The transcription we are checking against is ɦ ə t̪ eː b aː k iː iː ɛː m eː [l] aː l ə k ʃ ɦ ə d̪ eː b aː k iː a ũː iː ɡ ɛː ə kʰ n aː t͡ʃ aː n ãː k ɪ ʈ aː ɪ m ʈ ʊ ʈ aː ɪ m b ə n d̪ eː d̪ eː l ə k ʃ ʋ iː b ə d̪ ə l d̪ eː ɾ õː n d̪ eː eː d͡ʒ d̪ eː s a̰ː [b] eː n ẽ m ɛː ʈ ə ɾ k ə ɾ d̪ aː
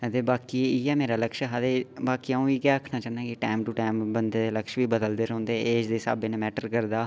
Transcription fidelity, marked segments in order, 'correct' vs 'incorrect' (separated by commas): incorrect, correct